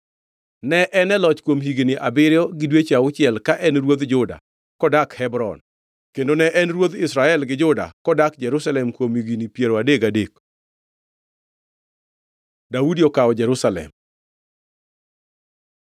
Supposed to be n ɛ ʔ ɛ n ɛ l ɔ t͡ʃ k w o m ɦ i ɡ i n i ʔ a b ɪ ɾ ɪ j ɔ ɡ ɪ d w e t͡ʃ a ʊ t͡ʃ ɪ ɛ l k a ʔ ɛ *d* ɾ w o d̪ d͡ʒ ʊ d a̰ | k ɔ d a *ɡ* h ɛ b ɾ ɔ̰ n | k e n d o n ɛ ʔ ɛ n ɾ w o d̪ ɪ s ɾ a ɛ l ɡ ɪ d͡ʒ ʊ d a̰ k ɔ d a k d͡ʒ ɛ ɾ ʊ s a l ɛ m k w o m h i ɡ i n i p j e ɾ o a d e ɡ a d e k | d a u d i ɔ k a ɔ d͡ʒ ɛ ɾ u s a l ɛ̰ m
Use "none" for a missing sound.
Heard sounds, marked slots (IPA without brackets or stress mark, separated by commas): n, k